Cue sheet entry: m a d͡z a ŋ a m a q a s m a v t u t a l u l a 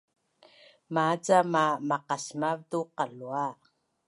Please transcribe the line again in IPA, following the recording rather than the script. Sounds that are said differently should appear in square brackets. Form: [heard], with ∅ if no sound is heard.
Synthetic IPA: m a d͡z a [m] a m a q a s m a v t u [q] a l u [∅] a